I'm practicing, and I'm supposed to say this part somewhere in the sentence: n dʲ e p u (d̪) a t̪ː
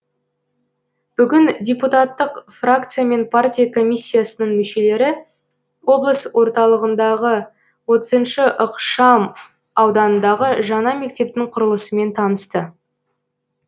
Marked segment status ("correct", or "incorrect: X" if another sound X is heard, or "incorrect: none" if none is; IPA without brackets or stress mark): incorrect: t̪